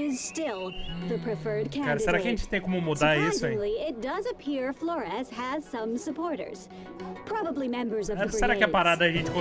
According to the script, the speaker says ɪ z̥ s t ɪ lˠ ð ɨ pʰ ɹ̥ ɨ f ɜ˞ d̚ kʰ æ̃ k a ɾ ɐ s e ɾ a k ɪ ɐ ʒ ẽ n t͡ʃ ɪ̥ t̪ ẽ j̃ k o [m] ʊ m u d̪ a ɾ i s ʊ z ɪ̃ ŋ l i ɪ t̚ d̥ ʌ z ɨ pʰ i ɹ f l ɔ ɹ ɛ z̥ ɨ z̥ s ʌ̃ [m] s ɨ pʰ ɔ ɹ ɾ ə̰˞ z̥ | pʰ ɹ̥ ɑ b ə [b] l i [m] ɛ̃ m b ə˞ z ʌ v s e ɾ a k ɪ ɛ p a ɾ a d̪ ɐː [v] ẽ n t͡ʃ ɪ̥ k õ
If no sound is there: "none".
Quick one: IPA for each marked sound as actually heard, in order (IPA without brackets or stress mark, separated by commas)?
m, m, b, m, ʒ